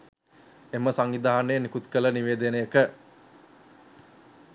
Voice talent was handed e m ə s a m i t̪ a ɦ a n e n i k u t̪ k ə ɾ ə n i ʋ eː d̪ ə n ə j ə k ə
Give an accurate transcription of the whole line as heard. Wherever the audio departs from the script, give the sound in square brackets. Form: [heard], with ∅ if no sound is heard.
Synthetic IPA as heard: e m ə s a [ŋ] i [d̪] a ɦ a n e n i k u t̪ k ə [l] ə n i ʋ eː d̪ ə n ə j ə k ə